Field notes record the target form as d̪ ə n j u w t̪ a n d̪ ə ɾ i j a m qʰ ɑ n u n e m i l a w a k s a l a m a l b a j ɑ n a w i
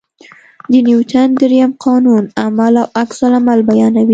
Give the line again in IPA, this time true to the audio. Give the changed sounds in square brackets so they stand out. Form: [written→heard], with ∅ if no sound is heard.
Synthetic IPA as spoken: d̪ ə n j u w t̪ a n d̪ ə ɾ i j a m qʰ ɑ n u n [e→a] m [i→a] l a w a k s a l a m a l b a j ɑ n a w i